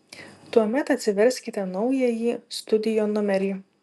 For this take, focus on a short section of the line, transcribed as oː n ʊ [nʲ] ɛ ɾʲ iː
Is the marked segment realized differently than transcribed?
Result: yes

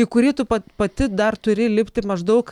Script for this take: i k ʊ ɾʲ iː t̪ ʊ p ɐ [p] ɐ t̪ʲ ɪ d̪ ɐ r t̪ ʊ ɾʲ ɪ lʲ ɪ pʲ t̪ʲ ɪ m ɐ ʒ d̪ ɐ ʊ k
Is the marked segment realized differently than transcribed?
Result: no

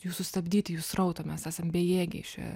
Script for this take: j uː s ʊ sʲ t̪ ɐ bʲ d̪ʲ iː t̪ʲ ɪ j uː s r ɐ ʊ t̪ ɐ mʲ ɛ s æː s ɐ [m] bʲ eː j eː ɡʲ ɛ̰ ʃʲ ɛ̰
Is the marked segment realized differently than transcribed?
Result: no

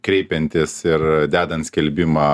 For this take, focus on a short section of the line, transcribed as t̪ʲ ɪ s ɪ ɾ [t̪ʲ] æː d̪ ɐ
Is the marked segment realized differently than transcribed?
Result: yes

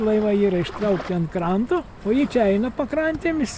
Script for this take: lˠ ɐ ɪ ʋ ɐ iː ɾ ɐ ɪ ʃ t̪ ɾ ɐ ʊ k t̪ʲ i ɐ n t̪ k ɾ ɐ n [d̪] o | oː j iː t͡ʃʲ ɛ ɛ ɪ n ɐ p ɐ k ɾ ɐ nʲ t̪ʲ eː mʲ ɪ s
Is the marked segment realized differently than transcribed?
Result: yes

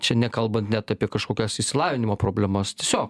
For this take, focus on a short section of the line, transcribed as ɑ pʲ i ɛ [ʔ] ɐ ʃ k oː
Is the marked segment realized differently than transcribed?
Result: yes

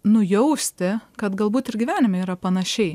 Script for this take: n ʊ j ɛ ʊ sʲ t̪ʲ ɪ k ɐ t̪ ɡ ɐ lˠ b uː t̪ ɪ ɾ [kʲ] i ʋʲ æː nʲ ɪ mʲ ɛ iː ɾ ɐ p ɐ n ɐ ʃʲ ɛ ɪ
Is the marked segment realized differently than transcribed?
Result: yes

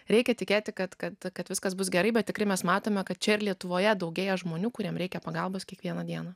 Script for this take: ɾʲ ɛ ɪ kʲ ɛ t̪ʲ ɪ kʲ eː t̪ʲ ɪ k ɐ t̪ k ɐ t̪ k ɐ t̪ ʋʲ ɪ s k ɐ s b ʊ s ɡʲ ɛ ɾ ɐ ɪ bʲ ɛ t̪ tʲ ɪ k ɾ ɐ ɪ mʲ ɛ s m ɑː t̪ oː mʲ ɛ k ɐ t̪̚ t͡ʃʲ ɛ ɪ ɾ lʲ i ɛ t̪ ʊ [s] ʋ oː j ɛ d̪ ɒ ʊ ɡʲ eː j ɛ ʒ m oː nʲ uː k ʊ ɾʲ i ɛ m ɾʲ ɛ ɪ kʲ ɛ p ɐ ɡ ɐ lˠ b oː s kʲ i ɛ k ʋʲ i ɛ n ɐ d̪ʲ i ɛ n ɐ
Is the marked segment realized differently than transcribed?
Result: yes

